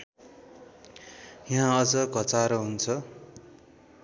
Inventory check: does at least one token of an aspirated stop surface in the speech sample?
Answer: yes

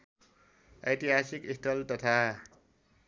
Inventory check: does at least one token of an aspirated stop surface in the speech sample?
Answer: yes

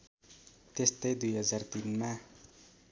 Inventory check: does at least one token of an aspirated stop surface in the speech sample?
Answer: no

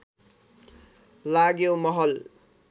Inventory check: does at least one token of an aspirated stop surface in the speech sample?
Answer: no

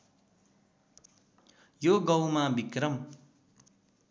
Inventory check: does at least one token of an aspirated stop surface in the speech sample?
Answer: no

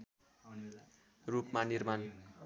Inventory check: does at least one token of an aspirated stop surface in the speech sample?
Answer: no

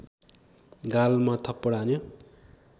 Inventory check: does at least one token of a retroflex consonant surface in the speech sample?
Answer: yes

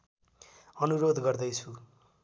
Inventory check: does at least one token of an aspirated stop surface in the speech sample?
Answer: yes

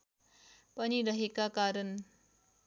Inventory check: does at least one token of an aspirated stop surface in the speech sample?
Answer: no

